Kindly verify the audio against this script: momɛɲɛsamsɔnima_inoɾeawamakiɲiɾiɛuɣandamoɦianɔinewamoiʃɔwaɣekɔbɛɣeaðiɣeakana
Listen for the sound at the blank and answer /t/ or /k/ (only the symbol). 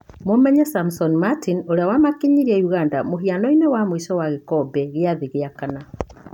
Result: t